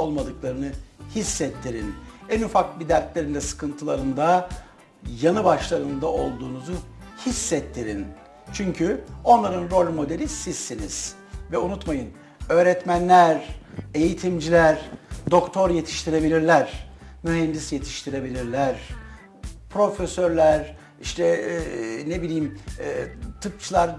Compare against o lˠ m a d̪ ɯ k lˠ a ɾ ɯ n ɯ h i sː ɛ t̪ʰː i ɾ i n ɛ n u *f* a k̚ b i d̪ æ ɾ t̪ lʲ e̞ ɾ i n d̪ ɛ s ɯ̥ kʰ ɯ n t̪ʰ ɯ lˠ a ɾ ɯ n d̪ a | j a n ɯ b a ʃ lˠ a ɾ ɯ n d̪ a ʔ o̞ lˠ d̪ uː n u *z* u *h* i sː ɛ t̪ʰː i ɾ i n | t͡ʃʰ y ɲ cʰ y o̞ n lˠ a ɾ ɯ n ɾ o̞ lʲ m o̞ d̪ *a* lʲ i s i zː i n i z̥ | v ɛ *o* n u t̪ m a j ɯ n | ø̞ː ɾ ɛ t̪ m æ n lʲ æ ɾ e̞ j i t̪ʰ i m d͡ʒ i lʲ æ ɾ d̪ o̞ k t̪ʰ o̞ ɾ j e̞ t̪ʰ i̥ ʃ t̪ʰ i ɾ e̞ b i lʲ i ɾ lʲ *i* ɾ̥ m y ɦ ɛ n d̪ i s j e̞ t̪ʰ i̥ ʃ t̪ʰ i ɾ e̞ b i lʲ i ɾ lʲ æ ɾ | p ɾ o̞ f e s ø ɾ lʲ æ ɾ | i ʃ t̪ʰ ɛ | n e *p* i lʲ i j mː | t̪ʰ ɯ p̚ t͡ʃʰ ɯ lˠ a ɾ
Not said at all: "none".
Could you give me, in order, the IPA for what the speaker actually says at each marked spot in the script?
f, z, h, e, u, æ, b

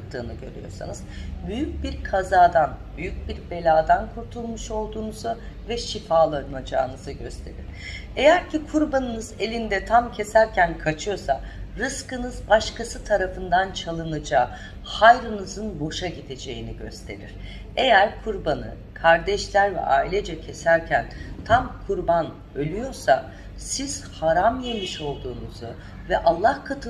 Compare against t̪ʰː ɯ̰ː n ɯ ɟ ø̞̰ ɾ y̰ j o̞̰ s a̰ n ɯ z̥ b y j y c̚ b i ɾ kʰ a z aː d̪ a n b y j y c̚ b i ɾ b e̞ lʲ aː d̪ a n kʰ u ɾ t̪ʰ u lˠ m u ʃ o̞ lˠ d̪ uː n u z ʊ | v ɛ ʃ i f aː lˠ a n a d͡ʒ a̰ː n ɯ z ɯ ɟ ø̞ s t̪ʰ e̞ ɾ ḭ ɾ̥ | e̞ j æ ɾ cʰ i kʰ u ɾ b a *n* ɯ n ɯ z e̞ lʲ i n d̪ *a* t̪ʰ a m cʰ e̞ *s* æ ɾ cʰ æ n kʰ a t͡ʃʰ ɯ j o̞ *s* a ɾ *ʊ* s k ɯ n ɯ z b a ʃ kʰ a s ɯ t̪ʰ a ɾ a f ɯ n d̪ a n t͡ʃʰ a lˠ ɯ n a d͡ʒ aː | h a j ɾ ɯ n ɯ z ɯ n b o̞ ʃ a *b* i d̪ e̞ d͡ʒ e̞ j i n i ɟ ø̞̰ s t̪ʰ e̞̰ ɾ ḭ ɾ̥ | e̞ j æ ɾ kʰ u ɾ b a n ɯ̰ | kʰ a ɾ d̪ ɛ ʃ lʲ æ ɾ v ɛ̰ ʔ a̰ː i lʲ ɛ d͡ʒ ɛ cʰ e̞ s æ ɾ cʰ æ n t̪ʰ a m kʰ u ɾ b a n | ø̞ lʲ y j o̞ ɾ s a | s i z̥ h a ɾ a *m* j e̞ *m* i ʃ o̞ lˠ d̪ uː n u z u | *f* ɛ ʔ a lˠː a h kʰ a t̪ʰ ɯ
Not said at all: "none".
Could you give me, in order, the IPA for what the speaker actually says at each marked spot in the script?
n, ɛ, s, s, ɯ, ɟ, m, m, v

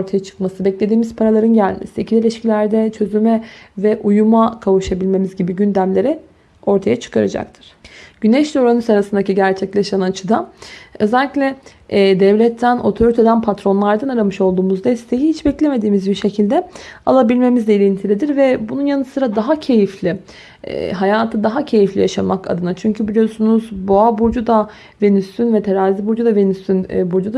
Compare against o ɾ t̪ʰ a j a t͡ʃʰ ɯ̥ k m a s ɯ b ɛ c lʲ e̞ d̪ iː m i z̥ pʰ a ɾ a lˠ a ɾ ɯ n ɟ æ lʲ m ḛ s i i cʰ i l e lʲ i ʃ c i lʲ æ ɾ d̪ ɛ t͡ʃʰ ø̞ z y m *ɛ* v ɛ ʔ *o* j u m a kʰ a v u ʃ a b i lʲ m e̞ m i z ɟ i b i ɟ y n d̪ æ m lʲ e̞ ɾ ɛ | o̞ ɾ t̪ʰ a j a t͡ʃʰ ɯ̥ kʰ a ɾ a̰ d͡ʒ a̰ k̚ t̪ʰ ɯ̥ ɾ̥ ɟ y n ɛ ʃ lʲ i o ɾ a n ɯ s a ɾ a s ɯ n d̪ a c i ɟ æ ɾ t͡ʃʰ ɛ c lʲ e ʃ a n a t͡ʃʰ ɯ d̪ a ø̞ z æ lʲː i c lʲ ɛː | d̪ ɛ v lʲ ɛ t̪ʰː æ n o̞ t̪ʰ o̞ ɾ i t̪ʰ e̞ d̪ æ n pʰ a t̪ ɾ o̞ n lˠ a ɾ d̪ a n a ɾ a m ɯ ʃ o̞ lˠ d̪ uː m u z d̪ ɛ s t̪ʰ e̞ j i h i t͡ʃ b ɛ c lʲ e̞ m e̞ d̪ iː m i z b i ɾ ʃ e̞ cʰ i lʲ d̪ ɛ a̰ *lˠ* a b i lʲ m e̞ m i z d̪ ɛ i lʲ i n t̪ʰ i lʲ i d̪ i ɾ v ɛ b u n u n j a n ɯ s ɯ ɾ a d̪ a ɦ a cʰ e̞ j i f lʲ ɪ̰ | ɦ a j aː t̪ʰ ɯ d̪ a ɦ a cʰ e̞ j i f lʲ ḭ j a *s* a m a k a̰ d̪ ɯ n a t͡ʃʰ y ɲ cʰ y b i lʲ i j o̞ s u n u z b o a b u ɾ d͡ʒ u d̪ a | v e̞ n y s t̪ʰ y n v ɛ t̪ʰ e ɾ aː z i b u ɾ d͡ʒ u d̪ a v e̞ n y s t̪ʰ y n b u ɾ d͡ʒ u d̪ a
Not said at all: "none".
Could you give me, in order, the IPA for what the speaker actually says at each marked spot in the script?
ɛ, u, lˠ, ʃ

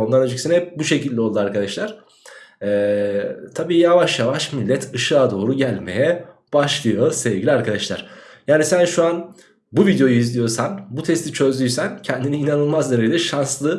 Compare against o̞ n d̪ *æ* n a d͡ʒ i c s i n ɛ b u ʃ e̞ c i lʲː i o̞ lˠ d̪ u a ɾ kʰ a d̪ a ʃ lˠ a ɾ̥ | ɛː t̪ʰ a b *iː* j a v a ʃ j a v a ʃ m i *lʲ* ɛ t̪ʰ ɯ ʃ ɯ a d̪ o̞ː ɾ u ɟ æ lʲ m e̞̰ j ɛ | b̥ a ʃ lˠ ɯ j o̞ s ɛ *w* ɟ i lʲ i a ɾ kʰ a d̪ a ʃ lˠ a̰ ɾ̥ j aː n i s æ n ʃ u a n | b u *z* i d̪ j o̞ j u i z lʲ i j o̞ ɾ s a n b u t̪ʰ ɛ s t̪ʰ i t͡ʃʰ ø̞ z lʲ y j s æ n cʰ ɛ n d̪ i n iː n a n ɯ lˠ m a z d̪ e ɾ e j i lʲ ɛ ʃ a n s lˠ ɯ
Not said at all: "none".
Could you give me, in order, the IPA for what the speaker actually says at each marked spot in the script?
a, iː, lʲː, v, v

